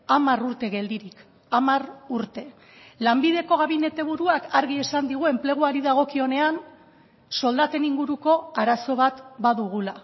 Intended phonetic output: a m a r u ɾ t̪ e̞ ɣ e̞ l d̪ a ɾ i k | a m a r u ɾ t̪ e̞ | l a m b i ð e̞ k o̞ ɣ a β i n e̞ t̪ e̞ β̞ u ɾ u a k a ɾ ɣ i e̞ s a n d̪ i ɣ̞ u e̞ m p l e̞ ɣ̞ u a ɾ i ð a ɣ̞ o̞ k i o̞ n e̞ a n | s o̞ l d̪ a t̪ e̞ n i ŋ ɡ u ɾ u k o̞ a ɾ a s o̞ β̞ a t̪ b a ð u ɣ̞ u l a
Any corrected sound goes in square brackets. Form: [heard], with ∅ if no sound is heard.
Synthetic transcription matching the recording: a m a r u ɾ t̪ e̞ ɣ e̞ l d̪ [i] ɾ i k | a m a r u ɾ t̪ e̞ | l a m b i ð e̞ k o̞ ɣ a β i n e̞ t̪ e̞ β̞ u ɾ u a k a ɾ ɣ i e̞ s a n d̪ i ɣ̞ u e̞ m p l e̞ ɣ̞ u a ɾ i ð a ɣ̞ o̞ k i o̞ n e̞ a n | s o̞ l d̪ a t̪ e̞ n i ŋ ɡ u ɾ u k o̞ a ɾ a s o̞ β̞ a t̪ b a ð u ɣ̞ u l a

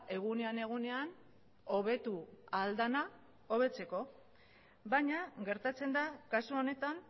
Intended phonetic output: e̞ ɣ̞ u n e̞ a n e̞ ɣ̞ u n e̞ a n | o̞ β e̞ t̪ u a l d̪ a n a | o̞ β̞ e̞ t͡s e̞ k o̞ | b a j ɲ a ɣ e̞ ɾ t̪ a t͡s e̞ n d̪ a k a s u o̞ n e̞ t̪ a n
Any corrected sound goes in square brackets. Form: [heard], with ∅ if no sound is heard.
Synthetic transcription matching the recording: e̞ ɣ̞ u n e̞ a n e̞ ɣ̞ u n e̞ a n | o̞ β e̞ t̪ u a l d̪ a n a | o̞ β̞ e̞ t͡s e̞ k o̞ | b a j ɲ a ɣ e̞ ɾ t̪ a t͡s e̞ n d̪ a k a s u o̞ n e̞ t̪ a n

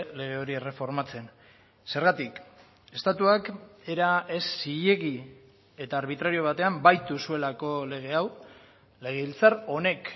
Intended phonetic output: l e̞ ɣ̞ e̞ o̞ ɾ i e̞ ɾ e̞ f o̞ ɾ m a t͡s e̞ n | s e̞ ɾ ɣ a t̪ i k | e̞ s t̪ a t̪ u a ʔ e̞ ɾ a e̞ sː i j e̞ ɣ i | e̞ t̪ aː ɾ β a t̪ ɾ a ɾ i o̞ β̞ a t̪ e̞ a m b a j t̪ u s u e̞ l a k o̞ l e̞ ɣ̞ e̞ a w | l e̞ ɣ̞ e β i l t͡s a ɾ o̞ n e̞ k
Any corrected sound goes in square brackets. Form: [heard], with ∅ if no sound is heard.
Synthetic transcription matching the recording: l e̞ ɣ̞ e̞ o̞ ɾ i e̞ [r] e̞ f o̞ ɾ m a t͡s e̞ n | s e̞ ɾ ɣ a t̪ i k | e̞ s t̪ a t̪ u a [k] e̞ ɾ a e̞ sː i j e̞ ɣ i | e̞ t̪ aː ɾ β [i] t̪ ɾ a ɾ i o̞ β̞ a t̪ e̞ a m b a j t̪ u s u e̞ l a k o̞ l e̞ ɣ̞ e̞ a w | l e̞ ɣ̞ e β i l t͡s a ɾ o̞ n e̞ k

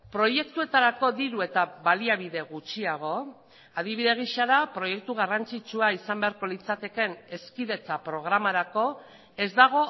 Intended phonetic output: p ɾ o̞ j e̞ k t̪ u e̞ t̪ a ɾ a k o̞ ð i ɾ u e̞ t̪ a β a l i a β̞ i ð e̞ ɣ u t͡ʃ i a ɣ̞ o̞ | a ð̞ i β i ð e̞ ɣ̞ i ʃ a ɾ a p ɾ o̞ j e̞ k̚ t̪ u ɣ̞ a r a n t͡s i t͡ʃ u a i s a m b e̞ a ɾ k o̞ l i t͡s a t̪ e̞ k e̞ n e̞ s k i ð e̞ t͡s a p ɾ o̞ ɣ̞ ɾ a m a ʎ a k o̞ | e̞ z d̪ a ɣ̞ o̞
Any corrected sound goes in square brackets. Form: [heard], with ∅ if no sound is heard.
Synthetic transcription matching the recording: p ɾ o̞ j e̞ k t̪ u e̞ t̪ a ɾ a k o̞ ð i ɾ u e̞ t̪ a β a l i a β̞ i ð e̞ ɣ u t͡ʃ i a ɣ̞ o̞ | a ð̞ i β i ð e̞ ɣ̞ i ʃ a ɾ a p ɾ o̞ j e̞ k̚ t̪ u ɣ̞ a r a n t͡s i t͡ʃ u a i s a m b e̞ a ɾ k o̞ l i t͡s a t̪ e̞ k e̞ n e̞ s k i ð e̞ t͡s a p ɾ o̞ ɣ̞ ɾ a m a [ɾ] a k o̞ | e̞ z d̪ a ɣ̞ o̞

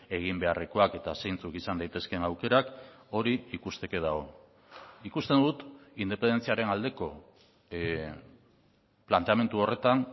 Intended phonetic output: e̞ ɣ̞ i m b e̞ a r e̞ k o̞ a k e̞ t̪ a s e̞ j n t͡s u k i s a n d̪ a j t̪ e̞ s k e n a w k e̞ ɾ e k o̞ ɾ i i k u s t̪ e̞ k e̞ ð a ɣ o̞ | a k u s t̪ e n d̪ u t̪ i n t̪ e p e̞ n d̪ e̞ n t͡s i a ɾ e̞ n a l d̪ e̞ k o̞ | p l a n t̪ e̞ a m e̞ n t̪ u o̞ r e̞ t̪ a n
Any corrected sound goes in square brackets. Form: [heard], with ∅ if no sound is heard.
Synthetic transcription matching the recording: e̞ ɣ̞ i m b e̞ a r e̞ k o̞ a k e̞ t̪ a s e̞ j n t͡s u k i s a n d̪ a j t̪ e̞ s k e n a w k e̞ ɾ [a] k o̞ ɾ i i k u s t̪ e̞ k e̞ ð a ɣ o̞ | [i] k u s t̪ e n d̪ u t̪ i n [d̪] e p e̞ n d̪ e̞ n t͡s i a ɾ e̞ n a l d̪ e̞ k o̞ | p l a n t̪ e̞ a m e̞ n t̪ u o̞ r e̞ t̪ a n

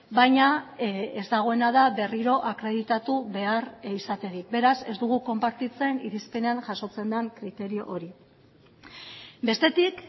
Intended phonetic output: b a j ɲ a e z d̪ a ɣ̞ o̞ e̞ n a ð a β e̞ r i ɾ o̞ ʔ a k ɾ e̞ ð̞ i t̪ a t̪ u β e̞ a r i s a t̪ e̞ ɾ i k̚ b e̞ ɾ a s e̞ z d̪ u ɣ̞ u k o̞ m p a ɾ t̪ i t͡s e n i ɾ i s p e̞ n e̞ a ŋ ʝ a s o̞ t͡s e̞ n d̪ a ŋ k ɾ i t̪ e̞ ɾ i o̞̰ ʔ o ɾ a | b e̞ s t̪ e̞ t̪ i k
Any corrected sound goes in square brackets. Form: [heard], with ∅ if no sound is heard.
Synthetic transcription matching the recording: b a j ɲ a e z d̪ a ɣ̞ o̞ e̞ n a ð a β e̞ r i ɾ o̞ ʔ a k ɾ e̞ ð̞ i t̪ a t̪ u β e̞ a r i s a t̪ e̞ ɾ i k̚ b e̞ ɾ a s e̞ z d̪ u ɣ̞ u k o̞ m p a ɾ t̪ i t͡s e n i ɾ i s p e̞ n e̞ a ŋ ʝ a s o̞ t͡s e̞ n d̪ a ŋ k ɾ i t̪ e̞ ɾ i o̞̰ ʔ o ɾ [i] | b e̞ s t̪ e̞ t̪ i k

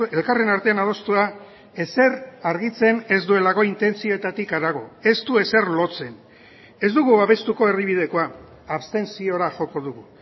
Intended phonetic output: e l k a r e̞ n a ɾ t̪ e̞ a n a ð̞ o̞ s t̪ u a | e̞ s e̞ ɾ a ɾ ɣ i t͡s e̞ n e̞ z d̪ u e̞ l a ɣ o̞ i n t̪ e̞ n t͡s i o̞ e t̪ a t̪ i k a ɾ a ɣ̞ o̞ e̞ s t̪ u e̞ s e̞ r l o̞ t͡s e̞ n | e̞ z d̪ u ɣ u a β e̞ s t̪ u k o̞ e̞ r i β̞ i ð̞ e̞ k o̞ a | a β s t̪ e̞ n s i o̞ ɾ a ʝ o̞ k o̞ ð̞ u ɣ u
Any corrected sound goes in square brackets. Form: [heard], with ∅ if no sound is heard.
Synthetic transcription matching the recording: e l k a r e̞ n a ɾ t̪ e̞ a n a ð̞ o̞ s t̪ u a | e̞ s e̞ ɾ a ɾ ɣ i t͡s e̞ n e̞ z d̪ u e̞ l a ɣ o̞ i n t̪ e̞ n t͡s i o̞ e t̪ a t̪ i k a ɾ a ɣ̞ o̞ e̞ s t̪ u e̞ s e̞ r l o̞ t͡s e̞ n | e̞ z d̪ u ɣ u a β e̞ s t̪ u k o̞ e̞ r i β̞ i ð̞ e̞ k o̞ a | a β s t̪ e̞ n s i o̞ ɾ a ʝ o̞ k o̞ ð̞ u ɣ u

